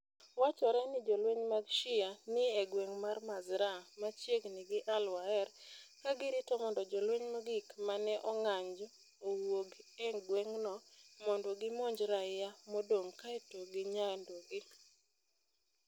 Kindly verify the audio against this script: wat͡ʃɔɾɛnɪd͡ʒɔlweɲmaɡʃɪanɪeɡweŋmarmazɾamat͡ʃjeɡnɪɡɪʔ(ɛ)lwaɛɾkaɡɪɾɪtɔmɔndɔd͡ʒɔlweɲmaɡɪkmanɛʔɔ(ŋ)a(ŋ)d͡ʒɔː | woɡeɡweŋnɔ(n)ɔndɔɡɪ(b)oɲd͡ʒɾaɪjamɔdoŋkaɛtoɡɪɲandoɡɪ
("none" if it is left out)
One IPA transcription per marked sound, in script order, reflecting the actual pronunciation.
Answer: a, ŋ, ɲ, m, m

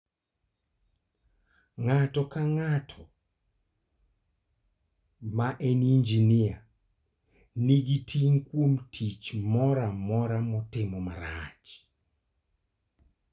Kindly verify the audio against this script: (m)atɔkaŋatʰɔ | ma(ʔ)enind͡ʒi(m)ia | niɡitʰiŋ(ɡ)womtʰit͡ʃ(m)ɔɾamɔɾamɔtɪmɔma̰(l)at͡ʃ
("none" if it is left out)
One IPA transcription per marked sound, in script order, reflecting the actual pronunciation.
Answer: ŋ, ʔ, n, k, m, ɾ

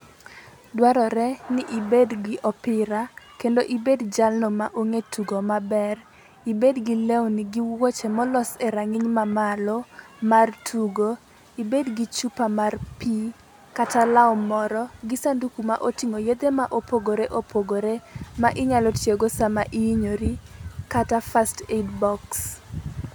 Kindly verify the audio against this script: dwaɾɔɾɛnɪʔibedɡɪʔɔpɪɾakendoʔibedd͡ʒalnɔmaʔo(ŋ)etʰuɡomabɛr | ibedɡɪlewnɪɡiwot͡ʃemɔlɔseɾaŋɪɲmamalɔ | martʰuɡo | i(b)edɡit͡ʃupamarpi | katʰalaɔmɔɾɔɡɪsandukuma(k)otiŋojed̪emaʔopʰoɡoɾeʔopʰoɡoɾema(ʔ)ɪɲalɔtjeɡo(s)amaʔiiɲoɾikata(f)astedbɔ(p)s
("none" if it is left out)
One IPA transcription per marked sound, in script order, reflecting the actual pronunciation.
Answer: ŋ, b, ʔ, ʔ, s, f, k

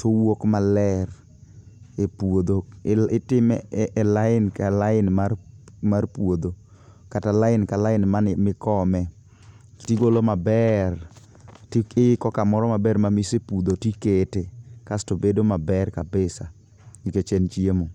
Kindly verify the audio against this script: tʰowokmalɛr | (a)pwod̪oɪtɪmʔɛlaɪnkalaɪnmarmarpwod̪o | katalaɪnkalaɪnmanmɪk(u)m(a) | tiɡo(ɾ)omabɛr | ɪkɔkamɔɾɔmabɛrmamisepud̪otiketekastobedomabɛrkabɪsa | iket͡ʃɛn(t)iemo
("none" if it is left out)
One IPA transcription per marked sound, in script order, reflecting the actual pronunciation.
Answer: e, ɔ, ɛ, l, t͡ʃ

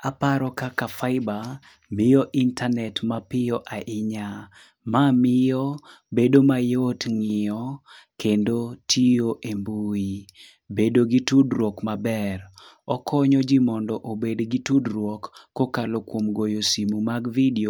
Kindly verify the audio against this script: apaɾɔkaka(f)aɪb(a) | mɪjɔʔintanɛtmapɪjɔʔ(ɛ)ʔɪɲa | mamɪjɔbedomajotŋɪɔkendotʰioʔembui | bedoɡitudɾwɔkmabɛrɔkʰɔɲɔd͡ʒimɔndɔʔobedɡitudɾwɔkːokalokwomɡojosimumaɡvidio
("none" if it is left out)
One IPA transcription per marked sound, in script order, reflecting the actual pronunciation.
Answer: f, a, a

